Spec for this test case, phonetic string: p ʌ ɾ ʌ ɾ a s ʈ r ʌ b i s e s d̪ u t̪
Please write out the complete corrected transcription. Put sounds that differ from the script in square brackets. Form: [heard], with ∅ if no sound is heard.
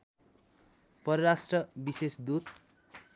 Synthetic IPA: p ʌ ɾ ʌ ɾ a s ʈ r ʌ b i s e s d̪ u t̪